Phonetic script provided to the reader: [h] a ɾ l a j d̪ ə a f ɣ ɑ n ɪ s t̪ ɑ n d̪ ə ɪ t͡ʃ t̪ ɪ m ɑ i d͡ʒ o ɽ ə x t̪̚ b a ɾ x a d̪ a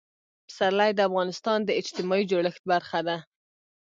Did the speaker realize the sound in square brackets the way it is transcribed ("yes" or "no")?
no